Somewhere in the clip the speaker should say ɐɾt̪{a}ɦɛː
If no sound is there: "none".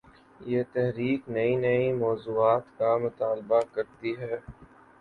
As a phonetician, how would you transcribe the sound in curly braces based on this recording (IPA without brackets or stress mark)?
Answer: i